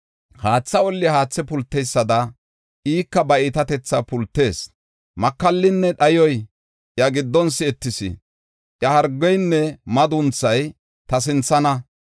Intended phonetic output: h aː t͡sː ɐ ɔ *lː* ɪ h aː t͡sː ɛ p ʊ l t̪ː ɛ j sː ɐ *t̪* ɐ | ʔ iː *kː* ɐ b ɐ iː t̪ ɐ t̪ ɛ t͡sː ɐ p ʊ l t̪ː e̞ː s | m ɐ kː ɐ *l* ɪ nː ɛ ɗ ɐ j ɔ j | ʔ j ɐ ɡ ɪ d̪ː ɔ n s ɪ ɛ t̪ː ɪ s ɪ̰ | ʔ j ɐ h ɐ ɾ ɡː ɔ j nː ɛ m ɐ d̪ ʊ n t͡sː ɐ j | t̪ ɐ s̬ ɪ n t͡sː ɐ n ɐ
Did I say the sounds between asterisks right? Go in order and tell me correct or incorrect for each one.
correct, incorrect, correct, incorrect

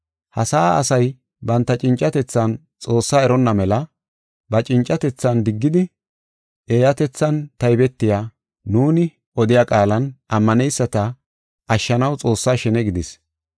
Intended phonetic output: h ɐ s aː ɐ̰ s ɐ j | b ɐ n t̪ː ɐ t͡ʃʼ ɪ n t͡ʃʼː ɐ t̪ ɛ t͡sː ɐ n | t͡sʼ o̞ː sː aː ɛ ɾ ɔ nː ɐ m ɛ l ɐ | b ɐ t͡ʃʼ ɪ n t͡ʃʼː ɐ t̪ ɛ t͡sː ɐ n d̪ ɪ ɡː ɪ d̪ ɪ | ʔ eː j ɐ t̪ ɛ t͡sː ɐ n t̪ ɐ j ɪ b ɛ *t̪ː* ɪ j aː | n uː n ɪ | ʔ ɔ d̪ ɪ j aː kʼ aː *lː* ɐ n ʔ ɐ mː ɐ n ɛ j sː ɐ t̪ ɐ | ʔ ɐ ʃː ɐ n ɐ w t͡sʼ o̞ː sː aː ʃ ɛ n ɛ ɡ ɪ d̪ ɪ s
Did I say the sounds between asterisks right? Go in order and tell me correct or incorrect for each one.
correct, incorrect

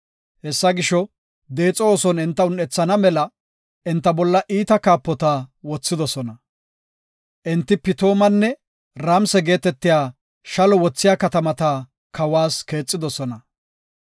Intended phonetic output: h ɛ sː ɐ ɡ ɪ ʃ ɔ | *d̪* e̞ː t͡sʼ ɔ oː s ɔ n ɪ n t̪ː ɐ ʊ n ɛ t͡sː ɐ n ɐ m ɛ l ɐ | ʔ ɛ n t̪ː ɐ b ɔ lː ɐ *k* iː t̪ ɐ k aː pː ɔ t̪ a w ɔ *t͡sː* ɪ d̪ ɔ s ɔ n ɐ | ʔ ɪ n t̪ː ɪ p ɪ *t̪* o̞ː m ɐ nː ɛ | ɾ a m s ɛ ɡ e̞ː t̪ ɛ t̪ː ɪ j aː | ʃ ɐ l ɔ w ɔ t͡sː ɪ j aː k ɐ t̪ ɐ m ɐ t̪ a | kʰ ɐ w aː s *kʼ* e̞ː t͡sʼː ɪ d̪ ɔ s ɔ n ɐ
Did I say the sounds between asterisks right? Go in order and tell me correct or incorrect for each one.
correct, incorrect, correct, correct, incorrect

